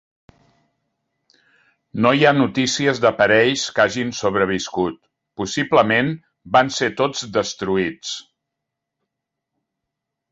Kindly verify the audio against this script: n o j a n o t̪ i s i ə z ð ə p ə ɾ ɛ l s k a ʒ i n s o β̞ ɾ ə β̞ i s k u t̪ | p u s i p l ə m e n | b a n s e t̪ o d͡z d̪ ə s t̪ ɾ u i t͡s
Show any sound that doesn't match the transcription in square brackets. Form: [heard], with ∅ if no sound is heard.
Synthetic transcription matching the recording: n o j a n [u] t̪ i s i ə z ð ə p ə ɾ ɛ [ʎ] s k a ʒ i n s o β̞ ɾ ə β̞ i s k u t̪ | p u s i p l ə m e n | b a n s e t̪ o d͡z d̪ ə s t̪ ɾ u i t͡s